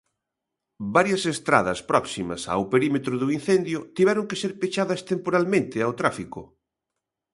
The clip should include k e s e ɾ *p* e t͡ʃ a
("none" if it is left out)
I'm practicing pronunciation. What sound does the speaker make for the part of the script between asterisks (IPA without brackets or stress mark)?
p